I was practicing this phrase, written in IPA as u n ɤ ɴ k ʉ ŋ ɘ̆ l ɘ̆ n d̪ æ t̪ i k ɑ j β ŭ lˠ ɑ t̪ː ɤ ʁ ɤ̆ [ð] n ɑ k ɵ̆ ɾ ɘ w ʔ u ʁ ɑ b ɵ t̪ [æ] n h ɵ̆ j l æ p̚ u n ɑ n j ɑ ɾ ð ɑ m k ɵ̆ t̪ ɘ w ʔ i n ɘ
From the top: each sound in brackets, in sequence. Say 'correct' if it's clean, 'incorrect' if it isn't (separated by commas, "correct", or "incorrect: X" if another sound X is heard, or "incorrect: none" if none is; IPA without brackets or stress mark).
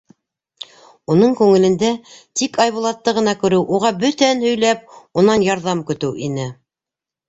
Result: incorrect: none, correct